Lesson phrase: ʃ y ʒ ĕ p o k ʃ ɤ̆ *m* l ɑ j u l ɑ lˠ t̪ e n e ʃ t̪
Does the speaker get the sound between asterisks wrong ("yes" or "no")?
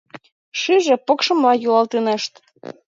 no